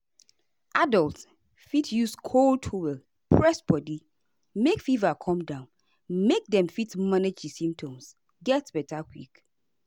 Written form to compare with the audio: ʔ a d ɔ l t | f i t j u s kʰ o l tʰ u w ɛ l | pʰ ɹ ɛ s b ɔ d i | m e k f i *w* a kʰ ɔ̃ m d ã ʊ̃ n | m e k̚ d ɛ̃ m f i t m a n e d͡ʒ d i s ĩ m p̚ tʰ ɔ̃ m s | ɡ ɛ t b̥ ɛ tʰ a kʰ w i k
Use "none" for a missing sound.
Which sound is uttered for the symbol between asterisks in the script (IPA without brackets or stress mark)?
v